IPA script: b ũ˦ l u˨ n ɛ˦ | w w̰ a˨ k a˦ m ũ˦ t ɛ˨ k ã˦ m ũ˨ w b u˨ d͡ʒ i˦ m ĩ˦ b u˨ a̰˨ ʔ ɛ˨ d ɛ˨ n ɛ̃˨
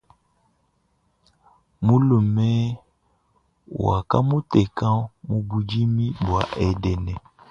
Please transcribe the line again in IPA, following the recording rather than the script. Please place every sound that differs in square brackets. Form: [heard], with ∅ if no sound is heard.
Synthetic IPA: [m] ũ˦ l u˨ [m] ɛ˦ | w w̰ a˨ k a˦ m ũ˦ t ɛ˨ k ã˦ m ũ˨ [∅] b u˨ d͡ʒ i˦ m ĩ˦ b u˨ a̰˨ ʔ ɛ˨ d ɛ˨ n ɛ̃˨